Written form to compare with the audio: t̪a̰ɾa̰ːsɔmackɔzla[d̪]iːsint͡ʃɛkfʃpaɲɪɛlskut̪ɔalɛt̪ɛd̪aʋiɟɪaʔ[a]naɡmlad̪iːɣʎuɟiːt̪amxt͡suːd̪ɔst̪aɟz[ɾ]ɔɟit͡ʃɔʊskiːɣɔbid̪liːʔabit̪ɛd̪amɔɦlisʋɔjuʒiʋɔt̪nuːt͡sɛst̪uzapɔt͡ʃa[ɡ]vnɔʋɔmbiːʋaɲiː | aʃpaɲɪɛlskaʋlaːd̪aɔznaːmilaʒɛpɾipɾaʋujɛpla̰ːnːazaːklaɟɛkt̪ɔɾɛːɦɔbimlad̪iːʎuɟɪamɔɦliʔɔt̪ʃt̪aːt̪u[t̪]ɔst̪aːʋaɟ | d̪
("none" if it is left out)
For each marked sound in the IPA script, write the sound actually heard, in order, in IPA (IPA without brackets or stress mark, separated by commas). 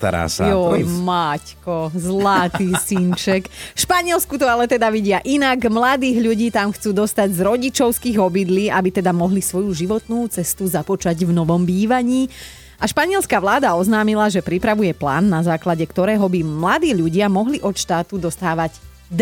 t̪, i, ɾ, ɟ, d̪